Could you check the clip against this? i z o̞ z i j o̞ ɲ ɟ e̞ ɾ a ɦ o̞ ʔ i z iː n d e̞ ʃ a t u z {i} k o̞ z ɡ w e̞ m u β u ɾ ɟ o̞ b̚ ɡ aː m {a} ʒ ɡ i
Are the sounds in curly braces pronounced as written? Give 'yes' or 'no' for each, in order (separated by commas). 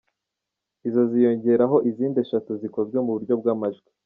yes, yes